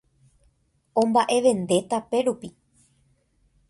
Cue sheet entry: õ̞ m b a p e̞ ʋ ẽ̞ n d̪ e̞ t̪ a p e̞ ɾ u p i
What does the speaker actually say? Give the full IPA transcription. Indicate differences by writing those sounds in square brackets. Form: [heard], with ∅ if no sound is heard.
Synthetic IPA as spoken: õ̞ m b a [ʔ] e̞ ʋ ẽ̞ n d̪ e̞ t̪ a p e̞ ɾ u p i